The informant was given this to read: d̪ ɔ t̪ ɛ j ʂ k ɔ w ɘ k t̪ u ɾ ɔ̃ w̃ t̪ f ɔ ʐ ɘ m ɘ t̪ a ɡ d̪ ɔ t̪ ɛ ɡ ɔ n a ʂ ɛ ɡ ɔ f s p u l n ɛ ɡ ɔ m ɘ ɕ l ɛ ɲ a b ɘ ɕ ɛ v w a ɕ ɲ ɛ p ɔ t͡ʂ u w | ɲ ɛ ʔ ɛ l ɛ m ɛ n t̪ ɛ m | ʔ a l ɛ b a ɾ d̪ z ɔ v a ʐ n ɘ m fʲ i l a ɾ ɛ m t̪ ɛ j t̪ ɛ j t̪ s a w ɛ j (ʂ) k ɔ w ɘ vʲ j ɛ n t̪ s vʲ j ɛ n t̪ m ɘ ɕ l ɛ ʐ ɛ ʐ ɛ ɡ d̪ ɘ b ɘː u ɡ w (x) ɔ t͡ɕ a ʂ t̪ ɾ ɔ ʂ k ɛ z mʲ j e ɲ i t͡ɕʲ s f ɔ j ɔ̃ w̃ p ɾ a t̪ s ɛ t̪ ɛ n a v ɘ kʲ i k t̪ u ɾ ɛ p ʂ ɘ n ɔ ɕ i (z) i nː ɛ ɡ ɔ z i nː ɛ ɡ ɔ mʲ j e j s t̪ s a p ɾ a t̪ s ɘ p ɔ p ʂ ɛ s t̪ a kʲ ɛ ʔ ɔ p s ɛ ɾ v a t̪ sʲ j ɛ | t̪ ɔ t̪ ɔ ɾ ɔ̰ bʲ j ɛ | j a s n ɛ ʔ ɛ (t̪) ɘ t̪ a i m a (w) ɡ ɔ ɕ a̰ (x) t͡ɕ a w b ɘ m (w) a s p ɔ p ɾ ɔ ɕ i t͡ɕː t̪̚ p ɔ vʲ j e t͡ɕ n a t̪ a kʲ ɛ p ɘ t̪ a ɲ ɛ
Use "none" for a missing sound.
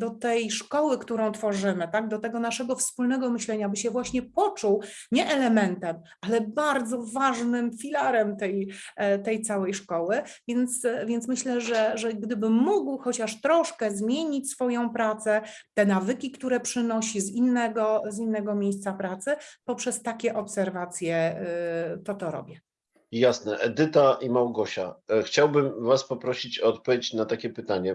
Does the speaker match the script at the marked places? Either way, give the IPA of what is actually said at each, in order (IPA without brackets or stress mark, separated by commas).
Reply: ʂ, x, z, d̪, w, x, v